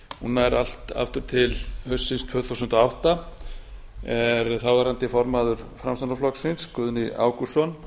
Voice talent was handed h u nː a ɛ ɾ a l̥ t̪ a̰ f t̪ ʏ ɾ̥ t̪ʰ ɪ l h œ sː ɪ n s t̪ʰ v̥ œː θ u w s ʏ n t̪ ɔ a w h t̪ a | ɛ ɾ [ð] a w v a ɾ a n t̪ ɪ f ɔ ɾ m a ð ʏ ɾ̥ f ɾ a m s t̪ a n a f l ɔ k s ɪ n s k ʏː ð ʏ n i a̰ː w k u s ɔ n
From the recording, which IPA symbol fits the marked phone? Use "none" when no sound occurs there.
θ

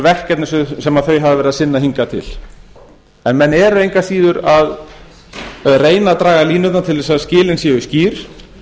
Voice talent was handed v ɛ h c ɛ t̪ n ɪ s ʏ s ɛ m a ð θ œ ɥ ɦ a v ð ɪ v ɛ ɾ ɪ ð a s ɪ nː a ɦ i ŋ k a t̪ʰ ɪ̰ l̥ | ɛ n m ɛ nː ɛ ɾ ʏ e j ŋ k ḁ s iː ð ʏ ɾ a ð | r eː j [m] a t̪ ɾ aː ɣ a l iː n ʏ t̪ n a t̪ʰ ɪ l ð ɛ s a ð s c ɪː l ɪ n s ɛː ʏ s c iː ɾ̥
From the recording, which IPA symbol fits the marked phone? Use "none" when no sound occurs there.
n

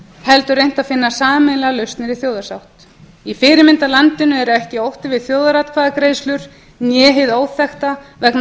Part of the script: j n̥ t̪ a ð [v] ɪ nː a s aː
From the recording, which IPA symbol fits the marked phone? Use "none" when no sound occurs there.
f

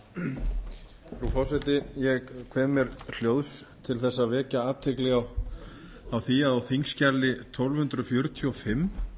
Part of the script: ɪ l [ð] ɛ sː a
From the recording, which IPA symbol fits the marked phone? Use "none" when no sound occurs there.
θ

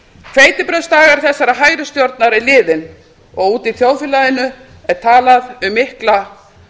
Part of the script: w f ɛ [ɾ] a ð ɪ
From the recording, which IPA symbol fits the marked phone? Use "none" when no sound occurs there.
l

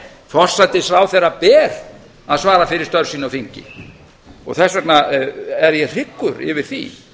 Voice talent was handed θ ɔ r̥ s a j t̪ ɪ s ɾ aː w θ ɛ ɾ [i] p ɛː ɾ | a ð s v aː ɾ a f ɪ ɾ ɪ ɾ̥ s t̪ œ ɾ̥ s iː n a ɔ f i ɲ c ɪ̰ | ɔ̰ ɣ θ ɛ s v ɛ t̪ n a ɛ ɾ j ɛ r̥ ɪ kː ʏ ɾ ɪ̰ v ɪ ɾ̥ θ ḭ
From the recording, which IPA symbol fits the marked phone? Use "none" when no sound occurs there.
a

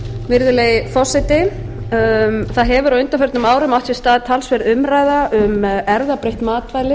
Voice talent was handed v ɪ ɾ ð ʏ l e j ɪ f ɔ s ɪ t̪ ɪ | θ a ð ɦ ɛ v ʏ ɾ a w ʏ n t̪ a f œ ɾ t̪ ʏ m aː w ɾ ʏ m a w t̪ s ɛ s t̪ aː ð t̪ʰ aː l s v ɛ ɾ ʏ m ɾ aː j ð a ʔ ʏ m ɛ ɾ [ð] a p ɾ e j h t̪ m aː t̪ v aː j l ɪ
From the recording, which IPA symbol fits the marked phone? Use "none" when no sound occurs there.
ð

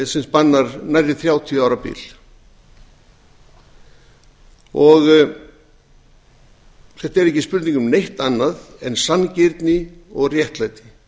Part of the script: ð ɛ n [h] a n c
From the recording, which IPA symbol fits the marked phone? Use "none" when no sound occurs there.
s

